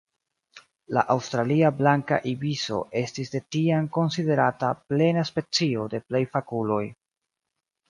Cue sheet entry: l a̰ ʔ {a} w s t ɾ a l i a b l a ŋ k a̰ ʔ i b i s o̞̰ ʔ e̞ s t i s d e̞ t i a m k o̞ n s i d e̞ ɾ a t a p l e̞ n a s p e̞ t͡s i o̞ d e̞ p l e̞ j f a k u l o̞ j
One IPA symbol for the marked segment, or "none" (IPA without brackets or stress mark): a